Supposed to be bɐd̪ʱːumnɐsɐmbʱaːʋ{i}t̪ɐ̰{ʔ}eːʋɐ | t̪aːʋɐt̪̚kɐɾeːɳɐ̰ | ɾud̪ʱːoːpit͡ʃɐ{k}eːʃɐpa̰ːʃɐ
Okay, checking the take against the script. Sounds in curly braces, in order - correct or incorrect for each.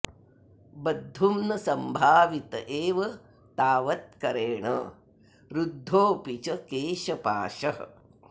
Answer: correct, correct, correct

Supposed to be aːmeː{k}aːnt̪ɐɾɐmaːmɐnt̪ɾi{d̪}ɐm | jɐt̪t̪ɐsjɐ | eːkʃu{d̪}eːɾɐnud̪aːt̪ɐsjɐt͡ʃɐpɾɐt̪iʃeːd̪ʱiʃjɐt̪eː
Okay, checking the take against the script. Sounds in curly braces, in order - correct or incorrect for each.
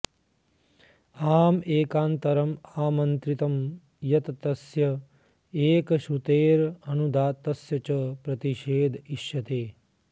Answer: correct, incorrect, incorrect

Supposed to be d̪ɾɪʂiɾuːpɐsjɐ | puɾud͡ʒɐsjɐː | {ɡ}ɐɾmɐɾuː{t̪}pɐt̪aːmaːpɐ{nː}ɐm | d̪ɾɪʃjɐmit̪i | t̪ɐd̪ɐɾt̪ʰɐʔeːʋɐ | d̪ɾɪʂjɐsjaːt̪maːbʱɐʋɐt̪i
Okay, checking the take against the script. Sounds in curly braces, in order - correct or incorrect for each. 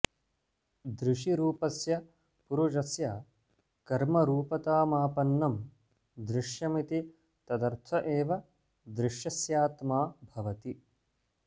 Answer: incorrect, incorrect, correct

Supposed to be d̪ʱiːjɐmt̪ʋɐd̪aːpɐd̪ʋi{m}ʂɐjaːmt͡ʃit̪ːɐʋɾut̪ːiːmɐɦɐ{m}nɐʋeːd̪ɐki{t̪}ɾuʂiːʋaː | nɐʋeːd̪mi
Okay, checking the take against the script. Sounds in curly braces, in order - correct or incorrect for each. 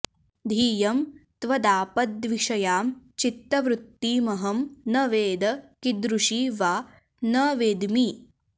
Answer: incorrect, correct, incorrect

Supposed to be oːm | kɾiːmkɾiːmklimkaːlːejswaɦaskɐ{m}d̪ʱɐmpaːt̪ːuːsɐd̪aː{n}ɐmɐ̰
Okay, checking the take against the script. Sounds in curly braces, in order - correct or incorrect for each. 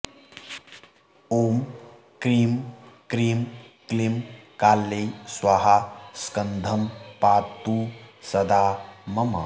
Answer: incorrect, incorrect

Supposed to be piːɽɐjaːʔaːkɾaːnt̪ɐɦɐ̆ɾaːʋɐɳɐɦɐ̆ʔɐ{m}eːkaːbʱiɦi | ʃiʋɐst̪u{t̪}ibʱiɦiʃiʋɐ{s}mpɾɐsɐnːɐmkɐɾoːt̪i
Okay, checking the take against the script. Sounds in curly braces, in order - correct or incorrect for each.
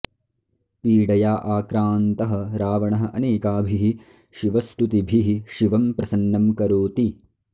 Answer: incorrect, correct, incorrect

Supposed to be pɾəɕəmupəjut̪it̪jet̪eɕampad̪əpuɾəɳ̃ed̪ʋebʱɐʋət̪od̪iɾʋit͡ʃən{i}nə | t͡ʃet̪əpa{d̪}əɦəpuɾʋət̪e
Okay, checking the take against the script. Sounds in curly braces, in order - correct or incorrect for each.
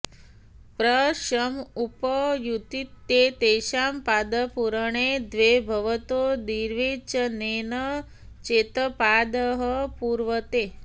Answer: incorrect, correct

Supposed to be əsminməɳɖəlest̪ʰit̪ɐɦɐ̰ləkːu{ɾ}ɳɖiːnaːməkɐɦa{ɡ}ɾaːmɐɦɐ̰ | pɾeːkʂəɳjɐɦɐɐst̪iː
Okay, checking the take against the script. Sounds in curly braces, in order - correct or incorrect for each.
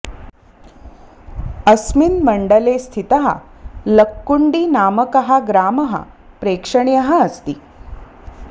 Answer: incorrect, correct

